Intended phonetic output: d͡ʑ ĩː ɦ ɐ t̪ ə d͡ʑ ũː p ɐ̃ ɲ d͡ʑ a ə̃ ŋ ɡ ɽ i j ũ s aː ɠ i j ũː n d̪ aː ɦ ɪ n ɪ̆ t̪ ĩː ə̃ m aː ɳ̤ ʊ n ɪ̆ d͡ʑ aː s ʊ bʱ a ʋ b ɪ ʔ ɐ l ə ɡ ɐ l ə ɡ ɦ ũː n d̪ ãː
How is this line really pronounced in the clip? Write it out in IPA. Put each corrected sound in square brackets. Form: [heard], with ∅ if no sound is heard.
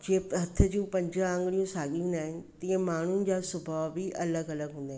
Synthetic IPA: d͡ʑ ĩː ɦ ɐ [t̪ʰ] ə d͡ʑ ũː p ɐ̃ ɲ d͡ʑ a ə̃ ŋ ɡ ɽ i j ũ s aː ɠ i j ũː n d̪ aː ɦ ɪ n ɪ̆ t̪ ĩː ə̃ m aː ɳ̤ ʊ n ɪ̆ d͡ʑ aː s ʊ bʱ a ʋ b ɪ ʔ ɐ l ə ɡ ɐ l ə ɡ ɦ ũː n d̪ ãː